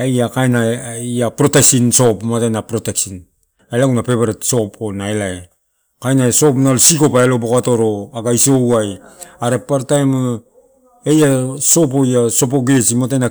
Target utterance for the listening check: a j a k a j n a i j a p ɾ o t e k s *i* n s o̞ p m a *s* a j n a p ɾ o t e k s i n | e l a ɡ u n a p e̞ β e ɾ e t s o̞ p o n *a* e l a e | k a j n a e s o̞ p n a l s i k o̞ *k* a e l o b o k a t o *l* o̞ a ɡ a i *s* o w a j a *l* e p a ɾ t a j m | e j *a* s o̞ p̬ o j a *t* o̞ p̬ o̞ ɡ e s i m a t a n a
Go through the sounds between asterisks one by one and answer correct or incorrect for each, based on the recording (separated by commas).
correct, incorrect, correct, incorrect, incorrect, correct, incorrect, correct, incorrect